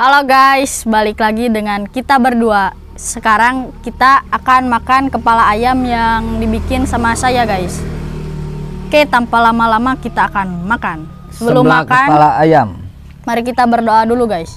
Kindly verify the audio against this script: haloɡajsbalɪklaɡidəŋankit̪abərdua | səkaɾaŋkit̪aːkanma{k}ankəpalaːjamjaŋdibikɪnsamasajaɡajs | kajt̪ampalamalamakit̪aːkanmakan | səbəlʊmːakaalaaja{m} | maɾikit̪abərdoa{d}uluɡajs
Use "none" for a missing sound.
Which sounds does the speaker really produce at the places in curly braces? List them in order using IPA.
k, m, d

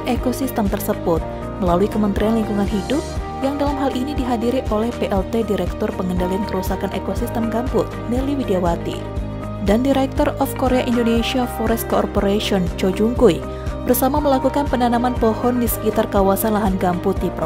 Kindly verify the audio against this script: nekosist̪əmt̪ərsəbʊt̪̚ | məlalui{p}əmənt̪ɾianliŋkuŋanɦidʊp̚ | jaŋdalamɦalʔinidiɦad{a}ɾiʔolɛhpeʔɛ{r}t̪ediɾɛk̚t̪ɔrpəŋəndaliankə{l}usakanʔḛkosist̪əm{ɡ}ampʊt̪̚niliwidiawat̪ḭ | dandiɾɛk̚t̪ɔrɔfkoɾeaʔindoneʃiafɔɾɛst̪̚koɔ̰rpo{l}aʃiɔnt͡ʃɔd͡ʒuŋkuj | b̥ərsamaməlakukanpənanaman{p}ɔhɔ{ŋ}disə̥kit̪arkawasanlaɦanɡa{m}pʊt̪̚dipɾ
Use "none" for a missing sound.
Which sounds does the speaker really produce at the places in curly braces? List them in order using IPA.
k, i, l, ɾ, ɡ, ɾ, p, n, m

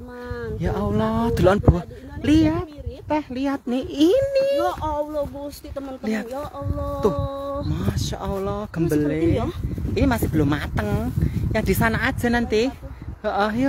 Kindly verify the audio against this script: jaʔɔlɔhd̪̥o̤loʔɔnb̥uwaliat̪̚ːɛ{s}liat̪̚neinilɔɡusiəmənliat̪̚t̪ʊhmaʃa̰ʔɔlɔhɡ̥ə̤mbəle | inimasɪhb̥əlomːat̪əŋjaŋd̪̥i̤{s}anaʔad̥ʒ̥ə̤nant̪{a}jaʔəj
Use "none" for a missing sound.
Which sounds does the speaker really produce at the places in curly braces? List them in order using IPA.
h, s, i

